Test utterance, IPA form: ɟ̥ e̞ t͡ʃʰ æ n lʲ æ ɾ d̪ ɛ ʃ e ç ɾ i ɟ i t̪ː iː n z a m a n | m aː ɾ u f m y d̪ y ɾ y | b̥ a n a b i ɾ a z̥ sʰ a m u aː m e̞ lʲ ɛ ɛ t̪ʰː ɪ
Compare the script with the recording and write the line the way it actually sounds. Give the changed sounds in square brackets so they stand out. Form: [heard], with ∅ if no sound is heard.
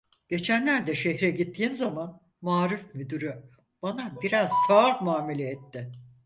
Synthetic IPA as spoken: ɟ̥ e̞ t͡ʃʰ æ n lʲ æ ɾ d̪ ɛ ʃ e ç ɾ [ɛ] ɟ i t̪ː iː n z a m a n | m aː ɾ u f m y d̪ y ɾ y | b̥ a n a b i ɾ a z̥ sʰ a m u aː m e̞ lʲ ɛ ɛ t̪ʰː ɪ